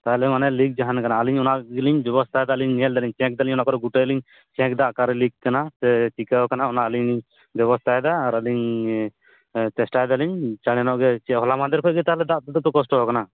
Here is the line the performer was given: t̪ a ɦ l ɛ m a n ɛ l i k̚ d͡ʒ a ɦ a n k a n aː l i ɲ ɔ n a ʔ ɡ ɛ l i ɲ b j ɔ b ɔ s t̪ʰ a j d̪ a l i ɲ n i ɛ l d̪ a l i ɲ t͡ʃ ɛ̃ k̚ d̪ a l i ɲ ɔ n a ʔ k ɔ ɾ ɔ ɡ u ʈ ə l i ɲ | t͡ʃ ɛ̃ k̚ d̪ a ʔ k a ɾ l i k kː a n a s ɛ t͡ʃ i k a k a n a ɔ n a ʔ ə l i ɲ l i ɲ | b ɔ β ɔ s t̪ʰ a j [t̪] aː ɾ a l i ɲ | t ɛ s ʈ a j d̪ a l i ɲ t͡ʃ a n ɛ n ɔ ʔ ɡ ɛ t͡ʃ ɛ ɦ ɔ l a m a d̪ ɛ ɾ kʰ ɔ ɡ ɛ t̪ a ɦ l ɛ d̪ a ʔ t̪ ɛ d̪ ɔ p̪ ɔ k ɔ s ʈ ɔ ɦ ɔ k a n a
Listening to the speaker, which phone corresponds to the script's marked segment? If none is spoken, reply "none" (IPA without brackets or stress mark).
d̪